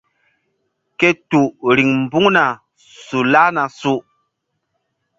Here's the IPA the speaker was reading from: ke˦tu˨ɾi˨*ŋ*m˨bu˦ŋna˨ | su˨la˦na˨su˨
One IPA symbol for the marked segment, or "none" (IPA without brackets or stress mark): ŋ